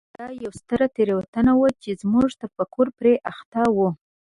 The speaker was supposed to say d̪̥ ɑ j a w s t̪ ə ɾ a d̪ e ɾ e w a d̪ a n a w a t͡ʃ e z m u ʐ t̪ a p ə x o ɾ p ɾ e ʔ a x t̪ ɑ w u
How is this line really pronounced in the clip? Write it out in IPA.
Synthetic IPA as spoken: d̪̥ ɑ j a w s t̪ ə ɾ a t̪ e ɾ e w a t̪ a n a w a t͡ʃ e z m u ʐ t̪ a p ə k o ɾ p ɾ e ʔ a x t̪ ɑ w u